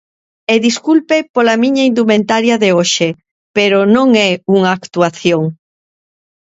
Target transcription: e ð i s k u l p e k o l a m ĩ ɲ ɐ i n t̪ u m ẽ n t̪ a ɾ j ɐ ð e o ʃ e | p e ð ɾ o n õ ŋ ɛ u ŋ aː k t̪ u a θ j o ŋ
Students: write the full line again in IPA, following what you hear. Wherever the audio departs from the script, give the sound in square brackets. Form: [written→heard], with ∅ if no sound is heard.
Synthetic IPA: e ð i s k u l p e [k→p] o l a m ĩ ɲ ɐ i n [t̪→d̪] u m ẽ n t̪ a ɾ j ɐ ð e o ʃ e | p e [ð→∅] ɾ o n õ ŋ ɛ u ŋ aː k t̪ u a θ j o ŋ